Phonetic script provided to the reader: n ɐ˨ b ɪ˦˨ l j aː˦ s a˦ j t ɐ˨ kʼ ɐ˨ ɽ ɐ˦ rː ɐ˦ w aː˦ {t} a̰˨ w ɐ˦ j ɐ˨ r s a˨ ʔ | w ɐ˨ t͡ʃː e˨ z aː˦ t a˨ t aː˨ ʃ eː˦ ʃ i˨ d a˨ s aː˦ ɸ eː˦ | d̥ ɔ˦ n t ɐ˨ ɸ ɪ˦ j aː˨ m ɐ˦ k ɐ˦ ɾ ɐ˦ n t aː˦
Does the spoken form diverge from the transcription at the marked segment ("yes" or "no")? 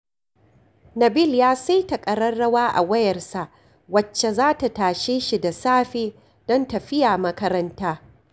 yes